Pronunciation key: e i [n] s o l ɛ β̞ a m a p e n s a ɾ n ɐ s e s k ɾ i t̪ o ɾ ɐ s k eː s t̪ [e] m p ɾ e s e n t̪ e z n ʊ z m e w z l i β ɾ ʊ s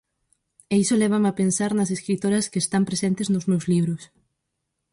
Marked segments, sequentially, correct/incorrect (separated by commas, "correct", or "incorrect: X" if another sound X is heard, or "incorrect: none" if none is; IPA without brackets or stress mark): incorrect: none, incorrect: a